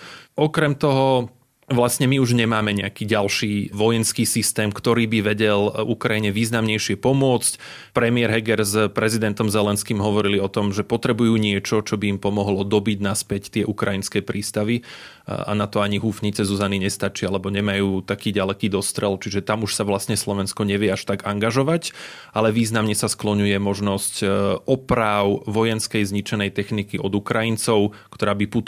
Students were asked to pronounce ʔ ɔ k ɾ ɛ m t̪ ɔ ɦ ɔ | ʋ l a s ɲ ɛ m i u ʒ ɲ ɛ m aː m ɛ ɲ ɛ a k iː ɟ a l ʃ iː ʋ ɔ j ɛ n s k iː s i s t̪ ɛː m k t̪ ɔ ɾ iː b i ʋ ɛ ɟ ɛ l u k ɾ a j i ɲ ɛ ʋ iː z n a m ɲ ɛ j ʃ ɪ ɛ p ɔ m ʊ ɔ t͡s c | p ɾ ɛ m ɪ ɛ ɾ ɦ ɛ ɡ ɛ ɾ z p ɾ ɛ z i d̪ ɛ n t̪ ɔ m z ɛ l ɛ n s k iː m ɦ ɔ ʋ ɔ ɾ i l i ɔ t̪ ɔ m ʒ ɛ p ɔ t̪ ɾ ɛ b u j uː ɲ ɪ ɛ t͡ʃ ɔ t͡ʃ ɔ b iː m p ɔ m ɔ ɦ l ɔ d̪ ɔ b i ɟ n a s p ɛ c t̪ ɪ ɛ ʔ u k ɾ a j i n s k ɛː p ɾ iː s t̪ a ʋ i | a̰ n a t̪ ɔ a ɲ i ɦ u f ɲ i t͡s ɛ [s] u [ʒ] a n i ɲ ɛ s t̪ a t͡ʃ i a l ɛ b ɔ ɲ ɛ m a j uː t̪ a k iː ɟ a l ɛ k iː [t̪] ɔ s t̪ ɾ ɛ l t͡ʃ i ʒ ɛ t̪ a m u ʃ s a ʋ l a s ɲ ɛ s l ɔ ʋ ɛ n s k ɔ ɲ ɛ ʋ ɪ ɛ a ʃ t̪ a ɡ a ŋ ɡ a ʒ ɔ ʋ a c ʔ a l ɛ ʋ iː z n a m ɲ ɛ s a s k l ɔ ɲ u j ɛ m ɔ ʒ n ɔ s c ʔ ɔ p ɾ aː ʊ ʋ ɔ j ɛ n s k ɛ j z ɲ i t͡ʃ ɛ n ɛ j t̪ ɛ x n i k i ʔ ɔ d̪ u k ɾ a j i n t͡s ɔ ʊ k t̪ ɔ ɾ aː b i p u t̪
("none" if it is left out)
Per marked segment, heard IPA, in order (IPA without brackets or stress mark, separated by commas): z, z, d̪